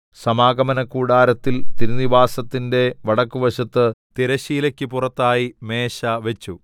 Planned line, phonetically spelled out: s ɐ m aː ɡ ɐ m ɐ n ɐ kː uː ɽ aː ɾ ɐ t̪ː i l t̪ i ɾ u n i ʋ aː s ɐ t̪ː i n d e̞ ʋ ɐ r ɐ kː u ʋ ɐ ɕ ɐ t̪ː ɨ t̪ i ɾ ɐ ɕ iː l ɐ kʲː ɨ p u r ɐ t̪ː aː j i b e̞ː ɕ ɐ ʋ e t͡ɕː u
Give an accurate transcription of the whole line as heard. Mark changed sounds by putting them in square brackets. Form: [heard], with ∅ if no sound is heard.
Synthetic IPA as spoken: s ɐ m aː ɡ ɐ m ɐ n ɐ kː uː ɽ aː ɾ ɐ t̪ː i l t̪ i ɾ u n i ʋ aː s ɐ t̪ː i n d e̞ ʋ ɐ [ɽ] ɐ kː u ʋ ɐ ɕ ɐ t̪ː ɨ t̪ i ɾ ɐ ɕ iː l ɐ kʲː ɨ p u r ɐ t̪ː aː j i [m] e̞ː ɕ ɐ ʋ e t͡ɕː u

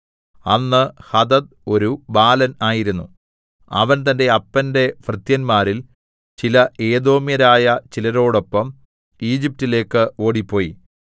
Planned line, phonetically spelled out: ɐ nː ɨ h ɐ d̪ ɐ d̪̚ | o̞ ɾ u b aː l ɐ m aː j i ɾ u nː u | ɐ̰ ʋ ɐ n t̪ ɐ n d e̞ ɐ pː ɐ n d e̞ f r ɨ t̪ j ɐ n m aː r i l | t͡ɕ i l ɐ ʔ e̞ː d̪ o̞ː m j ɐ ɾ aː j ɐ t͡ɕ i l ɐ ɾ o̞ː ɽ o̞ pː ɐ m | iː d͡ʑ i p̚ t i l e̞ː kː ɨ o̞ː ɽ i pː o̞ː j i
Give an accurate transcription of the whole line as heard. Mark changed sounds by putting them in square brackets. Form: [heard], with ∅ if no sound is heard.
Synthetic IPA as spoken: ɐ nː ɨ h ɐ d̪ ɐ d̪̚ | o̞ ɾ u b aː l ɐ [n] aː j i ɾ u nː u | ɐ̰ ʋ ɐ n t̪ ɐ n d e̞ ɐ pː ɐ n d e̞ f r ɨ t̪ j ɐ n m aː [ɾ] i l | t͡ɕ i l ɐ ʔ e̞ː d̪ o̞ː m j ɐ ɾ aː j ɐ t͡ɕ i l ɐ ɾ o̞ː ɽ o̞ pː ɐ m | iː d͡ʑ i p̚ t i l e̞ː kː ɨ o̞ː ɽ i pː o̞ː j i

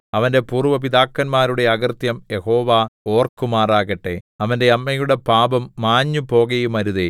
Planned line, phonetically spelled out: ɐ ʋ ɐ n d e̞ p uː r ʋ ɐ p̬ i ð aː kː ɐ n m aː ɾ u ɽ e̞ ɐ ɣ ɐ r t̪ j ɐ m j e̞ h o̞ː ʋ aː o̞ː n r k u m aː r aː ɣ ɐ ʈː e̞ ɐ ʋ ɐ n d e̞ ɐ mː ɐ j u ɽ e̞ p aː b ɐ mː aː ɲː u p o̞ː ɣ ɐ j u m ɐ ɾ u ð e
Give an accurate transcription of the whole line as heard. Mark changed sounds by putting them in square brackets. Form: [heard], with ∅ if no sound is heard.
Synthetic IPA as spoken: ɐ ʋ ɐ n d e̞ p uː r ʋ ɐ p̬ i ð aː kː ɐ n m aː ɾ u ɽ e̞ ɐ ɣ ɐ r t̪ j ɐ m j e̞ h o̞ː ʋ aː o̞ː [∅] r k u m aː r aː ɣ ɐ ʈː e̞ ɐ ʋ ɐ n d e̞ ɐ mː ɐ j u ɽ e̞ p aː b ɐ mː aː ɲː u p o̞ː ɣ ɐ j u m ɐ ɾ u ð e

